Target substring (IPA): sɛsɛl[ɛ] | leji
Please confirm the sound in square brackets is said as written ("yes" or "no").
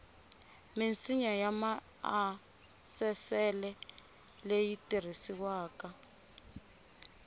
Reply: yes